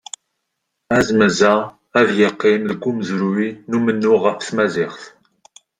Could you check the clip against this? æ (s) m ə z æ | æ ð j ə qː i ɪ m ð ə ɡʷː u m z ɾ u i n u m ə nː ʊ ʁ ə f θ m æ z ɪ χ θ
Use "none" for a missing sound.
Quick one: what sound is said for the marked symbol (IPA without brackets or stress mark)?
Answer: z